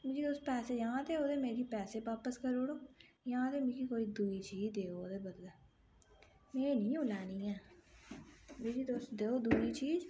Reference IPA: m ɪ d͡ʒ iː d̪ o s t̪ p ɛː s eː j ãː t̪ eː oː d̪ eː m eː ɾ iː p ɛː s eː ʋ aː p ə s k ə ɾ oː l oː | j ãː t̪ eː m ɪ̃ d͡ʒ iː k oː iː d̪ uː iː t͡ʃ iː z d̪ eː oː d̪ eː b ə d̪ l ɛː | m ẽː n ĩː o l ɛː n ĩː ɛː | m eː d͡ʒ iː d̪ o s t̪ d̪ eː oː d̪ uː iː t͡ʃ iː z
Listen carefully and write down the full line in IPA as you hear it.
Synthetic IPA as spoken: m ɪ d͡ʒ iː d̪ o s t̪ p ɛː s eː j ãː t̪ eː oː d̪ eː m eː ɾ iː p ɛː s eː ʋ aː p ə s k ə ɾ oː ɽ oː | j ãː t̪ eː m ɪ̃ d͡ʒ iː k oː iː d̪ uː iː t͡ʃ iː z d̪ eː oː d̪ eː b ə d̪ l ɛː | m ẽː n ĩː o l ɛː n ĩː ɛː | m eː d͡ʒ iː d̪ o s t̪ d̪ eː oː d̪ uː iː t͡ʃ iː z